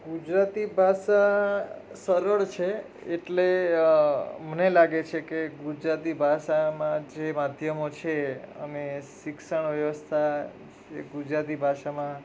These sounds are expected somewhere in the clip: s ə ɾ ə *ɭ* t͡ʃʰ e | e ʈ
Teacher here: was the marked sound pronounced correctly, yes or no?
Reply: yes